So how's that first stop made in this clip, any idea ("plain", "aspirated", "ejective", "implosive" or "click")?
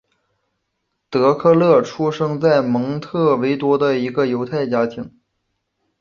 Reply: plain